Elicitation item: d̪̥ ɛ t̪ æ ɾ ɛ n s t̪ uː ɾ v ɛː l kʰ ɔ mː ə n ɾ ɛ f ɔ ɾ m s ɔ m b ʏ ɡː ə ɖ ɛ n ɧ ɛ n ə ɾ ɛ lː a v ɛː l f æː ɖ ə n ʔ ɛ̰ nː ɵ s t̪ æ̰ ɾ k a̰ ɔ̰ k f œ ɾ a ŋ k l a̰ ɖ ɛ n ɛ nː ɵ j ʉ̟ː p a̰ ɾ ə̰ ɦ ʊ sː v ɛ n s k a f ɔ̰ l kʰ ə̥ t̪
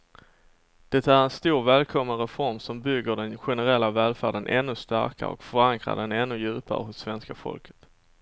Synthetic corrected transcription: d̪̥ ɛ t̪ æ ɾ ɛ n s t̪ uː ɾ v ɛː l kʰ ɔ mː ə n ɾ ɛ f ɔ ɾ m s ɔ m b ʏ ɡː ə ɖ ɛ n ɧ ɛ n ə ɾ ɛ lː a v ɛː l f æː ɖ ə n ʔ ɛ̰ nː ɵ s t̪ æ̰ ɾ k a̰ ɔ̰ k f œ ɾ a ŋ k ɾ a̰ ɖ ɛ n ɛ nː ɵ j ʉ̟ː p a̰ ɾ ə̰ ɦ ʊ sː v ɛ n s k a f ɔ̰ l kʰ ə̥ t̪